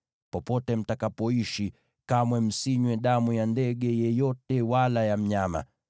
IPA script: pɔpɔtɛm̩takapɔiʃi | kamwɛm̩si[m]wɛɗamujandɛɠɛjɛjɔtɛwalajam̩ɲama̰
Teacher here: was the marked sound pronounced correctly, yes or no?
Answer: no